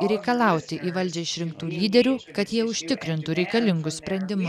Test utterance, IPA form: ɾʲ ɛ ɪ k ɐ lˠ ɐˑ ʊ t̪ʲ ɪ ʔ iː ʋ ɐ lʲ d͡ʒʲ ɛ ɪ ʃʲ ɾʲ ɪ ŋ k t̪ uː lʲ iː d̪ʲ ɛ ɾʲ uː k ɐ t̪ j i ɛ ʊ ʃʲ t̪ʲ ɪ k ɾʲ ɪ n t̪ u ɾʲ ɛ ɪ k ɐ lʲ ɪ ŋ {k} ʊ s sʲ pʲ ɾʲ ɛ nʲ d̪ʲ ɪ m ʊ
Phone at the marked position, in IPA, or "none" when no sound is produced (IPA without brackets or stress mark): ɡ